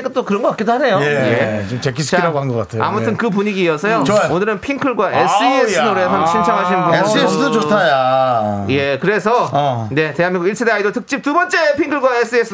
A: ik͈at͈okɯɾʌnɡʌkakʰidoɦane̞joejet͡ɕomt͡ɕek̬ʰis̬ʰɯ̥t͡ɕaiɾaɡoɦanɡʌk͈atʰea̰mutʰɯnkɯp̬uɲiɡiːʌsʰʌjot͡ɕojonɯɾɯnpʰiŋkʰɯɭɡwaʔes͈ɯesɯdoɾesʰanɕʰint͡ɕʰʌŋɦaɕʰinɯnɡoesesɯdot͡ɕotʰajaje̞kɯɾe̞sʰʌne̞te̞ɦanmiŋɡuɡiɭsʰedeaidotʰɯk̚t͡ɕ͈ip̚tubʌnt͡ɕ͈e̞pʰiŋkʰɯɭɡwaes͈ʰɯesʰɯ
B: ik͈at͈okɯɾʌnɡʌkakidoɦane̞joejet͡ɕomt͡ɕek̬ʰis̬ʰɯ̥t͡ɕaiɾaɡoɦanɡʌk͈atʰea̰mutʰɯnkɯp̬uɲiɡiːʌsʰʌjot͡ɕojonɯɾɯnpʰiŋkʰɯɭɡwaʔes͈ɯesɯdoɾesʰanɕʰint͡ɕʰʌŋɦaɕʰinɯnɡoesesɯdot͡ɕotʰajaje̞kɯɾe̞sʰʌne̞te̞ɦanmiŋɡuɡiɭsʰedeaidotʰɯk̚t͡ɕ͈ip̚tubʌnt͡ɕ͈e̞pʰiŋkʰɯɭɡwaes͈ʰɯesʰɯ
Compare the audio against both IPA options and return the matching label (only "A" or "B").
B